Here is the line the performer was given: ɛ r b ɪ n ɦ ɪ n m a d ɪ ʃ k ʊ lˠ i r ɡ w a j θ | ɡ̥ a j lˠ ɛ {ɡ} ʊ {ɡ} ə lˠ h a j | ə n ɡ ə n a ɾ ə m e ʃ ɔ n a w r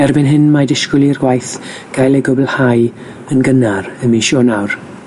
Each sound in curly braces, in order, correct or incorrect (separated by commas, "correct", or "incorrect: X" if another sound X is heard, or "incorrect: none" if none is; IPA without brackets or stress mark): correct, incorrect: b